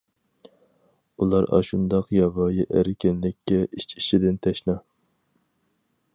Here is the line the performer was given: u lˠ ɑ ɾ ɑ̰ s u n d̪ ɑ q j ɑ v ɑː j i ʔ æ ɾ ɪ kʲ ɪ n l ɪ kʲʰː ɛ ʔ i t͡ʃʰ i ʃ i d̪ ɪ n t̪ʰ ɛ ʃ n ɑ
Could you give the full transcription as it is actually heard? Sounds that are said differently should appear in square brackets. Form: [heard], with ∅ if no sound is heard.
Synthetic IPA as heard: u lˠ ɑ ɾ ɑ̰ [ʃ] u n d̪ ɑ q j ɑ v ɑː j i ʔ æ ɾ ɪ kʲ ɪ n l ɪ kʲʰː ɛ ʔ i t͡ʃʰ i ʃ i d̪ ɪ n t̪ʰ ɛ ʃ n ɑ